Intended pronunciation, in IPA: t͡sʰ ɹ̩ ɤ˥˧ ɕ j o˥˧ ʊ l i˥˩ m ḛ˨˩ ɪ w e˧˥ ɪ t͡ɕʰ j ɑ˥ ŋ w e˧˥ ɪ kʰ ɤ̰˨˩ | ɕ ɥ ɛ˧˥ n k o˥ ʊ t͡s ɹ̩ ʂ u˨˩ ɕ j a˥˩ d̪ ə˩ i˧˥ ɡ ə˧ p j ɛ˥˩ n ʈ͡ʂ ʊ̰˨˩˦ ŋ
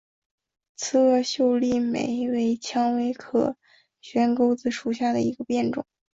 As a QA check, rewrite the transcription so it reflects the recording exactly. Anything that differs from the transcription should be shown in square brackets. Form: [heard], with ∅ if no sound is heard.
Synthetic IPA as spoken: t͡sʰ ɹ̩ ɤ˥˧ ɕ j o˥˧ ʊ l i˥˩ m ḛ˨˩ ɪ w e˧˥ ɪ t͡ɕʰ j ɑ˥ ŋ w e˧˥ ɪ kʰ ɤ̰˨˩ | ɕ ɥ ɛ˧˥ n k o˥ ʊ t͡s ɹ̩ ʂ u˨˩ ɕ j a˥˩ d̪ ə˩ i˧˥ ɡ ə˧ p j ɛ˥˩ n ʈ͡ʂ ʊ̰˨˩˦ ŋ